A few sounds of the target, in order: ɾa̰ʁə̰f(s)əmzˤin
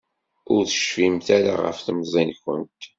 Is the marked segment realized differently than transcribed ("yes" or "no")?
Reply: yes